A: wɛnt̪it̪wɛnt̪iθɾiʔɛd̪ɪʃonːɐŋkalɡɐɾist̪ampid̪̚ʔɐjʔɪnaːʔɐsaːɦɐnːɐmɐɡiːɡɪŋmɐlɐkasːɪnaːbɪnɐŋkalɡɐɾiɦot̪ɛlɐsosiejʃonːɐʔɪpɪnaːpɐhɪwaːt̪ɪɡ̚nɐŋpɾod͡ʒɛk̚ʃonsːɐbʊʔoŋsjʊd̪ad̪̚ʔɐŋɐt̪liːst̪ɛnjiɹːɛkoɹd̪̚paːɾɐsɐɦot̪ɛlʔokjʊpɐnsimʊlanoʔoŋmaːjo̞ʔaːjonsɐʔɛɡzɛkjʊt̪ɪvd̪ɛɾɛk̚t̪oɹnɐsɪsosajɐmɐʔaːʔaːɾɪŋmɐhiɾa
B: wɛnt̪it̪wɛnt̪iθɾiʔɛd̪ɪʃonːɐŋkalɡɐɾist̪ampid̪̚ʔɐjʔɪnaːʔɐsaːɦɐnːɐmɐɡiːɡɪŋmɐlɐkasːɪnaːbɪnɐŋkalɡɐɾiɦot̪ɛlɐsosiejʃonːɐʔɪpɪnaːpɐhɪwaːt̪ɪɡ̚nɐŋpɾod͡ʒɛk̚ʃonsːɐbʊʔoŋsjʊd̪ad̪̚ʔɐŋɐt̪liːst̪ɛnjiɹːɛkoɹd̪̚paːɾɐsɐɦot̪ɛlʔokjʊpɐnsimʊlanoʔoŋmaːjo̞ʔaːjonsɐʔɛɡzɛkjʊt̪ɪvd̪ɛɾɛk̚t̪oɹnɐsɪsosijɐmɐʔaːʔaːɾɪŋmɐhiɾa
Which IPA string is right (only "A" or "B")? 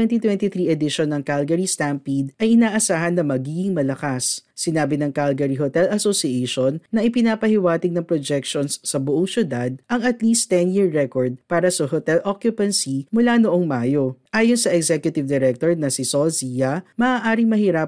B